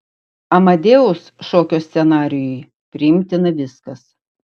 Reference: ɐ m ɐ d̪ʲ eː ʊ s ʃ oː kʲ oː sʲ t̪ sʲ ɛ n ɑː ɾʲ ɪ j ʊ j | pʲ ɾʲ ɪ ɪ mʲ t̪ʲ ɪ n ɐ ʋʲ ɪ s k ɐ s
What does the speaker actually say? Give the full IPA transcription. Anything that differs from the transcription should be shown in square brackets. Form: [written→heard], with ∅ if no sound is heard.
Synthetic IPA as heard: ɐ m ɐ d̪ʲ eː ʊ s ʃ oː kʲ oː sʲ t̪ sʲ ɛ n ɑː ɾʲ ɪ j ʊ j | pʲ ɾʲ ɪ ɪ mʲ t̪ʲ ɪ n ɐ ʋʲ ɪ s k ɐ s

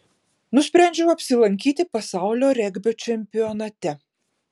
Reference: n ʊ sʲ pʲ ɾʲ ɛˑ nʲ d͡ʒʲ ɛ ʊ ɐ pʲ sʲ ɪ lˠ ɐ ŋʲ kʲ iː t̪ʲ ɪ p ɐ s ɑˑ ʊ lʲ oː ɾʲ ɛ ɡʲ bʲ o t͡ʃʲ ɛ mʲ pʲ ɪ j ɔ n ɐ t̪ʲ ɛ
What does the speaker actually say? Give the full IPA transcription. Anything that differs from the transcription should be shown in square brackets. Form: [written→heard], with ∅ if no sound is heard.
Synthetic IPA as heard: n ʊ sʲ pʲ ɾʲ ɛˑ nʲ d͡ʒʲ ɛ ʊ ɐ pʲ sʲ ɪ lˠ ɐ ŋʲ kʲ iː t̪ʲ ɪ p ɐ s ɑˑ ʊ lʲ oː ɾʲ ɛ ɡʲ bʲ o t͡ʃʲ ɛ mʲ pʲ ɪ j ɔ n ɐ t̪ʲ ɛ

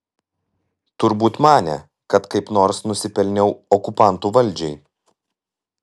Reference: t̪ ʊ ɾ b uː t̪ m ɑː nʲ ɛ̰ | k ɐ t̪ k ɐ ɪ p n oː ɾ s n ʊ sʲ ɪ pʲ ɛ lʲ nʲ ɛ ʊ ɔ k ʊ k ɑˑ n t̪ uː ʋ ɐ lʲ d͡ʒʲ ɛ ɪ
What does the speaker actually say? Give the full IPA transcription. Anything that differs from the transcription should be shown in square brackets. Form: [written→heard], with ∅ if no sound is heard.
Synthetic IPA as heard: t̪ ʊ ɾ b uː t̪ m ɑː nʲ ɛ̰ | k ɐ t̪ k ɐ ɪ p n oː ɾ s n ʊ sʲ ɪ pʲ ɛ lʲ nʲ ɛ ʊ ɔ k ʊ [k→p] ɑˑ n t̪ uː ʋ ɐ lʲ d͡ʒʲ ɛ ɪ

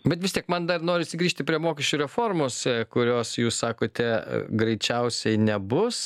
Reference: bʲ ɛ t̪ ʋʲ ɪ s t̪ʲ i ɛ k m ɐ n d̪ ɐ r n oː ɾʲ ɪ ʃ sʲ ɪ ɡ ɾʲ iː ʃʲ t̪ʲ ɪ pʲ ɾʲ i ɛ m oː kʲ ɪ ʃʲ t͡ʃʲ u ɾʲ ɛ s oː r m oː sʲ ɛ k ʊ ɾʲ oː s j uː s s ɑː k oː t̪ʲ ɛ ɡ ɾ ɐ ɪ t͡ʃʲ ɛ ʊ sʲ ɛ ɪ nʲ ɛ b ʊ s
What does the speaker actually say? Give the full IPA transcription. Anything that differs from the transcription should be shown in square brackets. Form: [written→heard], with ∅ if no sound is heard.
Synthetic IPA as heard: bʲ ɛ t̪ ʋʲ ɪ s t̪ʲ i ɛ k m ɐ n d̪ ɐ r n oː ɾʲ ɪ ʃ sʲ ɪ ɡ ɾʲ iː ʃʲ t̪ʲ ɪ pʲ ɾʲ i ɛ m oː kʲ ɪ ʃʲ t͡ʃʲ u ɾʲ ɛ [s→f] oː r m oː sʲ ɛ k ʊ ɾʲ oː s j uː s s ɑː k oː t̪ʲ ɛ ɡ ɾ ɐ ɪ t͡ʃʲ ɛ ʊ sʲ ɛ ɪ nʲ ɛ b ʊ s

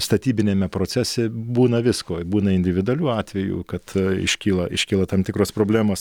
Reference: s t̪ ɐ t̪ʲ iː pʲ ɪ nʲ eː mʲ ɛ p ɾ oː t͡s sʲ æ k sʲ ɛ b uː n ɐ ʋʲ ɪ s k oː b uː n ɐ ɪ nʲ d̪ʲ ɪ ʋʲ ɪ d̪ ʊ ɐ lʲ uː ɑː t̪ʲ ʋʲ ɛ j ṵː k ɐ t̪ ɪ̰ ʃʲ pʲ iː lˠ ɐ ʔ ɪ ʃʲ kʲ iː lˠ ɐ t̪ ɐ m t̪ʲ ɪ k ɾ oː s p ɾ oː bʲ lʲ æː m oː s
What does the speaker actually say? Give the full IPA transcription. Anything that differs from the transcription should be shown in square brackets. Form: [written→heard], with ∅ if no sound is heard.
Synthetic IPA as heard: s t̪ ɐ t̪ʲ iː [pʲ→bʲ] ɪ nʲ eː mʲ ɛ p ɾ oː t͡s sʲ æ [k→∅] sʲ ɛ b uː n ɐ ʋʲ ɪ s k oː b uː n ɐ ɪ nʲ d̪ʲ ɪ ʋʲ ɪ d̪ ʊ ɐ lʲ uː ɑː t̪ʲ ʋʲ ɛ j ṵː k ɐ t̪ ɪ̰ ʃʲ [pʲ→kʲ] iː lˠ ɐ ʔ ɪ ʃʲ kʲ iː lˠ ɐ t̪ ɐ m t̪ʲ ɪ k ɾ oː s p ɾ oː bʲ lʲ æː m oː s

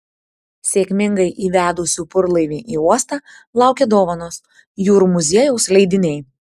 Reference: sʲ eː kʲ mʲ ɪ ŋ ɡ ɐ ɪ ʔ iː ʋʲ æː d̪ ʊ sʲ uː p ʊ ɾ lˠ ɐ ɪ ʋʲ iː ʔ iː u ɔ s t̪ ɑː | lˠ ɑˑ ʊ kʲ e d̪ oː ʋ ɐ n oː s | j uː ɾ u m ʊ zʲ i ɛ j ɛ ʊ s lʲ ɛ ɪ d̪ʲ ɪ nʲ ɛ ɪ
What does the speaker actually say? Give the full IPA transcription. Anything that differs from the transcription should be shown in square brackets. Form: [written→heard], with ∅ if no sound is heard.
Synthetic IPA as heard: sʲ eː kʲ mʲ ɪ ŋ ɡ ɐ ɪ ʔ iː ʋʲ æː d̪ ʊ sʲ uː p ʊ ɾ lˠ ɐ ɪ ʋʲ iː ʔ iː u ɔ s t̪ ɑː | lˠ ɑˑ ʊ kʲ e d̪ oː ʋ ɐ n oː s | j uː ɾ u m ʊ zʲ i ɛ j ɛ ʊ s lʲ ɛ ɪ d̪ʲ ɪ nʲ ɛ ɪ

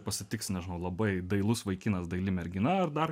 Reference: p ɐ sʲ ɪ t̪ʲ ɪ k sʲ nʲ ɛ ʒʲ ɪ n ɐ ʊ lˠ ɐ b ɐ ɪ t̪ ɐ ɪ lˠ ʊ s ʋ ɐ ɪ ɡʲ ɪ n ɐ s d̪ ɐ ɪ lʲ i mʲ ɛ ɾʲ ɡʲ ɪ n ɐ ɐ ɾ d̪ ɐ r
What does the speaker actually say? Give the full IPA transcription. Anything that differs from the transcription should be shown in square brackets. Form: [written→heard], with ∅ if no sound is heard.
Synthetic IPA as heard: p ɐ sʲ ɪ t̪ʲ ɪ k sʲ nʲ ɛ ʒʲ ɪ n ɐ ʊ lˠ ɐ b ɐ ɪ [t̪→d̪] ɐ ɪ lˠ ʊ s ʋ ɐ ɪ [ɡʲ→kʲ] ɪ n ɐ s d̪ ɐ ɪ lʲ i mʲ ɛ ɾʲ ɡʲ ɪ n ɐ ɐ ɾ d̪ ɐ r

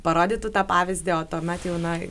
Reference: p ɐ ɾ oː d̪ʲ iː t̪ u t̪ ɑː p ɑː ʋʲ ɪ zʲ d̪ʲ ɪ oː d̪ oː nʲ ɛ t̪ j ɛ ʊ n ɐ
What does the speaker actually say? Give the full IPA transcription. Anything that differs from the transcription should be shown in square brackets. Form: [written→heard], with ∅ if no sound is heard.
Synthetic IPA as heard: p ɐ ɾ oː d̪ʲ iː t̪ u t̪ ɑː p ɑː ʋʲ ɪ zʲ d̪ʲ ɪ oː [d̪→t̪] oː [nʲ→mʲ] ɛ t̪ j ɛ ʊ n ɐ

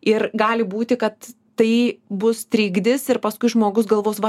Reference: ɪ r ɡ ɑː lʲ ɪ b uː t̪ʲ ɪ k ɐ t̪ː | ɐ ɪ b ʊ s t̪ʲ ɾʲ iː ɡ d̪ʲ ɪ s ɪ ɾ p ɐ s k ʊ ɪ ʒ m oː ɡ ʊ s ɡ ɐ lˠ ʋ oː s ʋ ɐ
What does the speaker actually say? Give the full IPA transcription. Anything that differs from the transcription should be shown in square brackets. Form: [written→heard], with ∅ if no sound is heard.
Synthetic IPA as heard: ɪ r ɡ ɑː lʲ ɪ b uː t̪ʲ ɪ k ɐ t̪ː | ɐ ɪ b ʊ s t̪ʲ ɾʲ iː ɡ d̪ʲ ɪ s ɪ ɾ p ɐ s k ʊ ɪ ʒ m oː ɡ ʊ s ɡ ɐ lˠ ʋ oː s ʋ ɐ

